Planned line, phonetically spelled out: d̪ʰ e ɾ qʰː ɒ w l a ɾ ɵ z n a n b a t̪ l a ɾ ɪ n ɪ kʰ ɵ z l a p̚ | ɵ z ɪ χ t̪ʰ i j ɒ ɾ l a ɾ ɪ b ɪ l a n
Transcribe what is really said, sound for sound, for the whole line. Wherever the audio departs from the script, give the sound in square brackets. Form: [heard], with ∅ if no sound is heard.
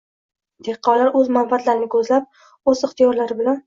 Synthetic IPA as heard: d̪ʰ e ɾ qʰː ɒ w l a ɾ ɵ z [m] a n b a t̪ l a ɾ ɪ n ɪ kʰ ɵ z l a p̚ | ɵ z ɪ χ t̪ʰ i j ɒ ɾ l a ɾ ɪ b ɪ l a n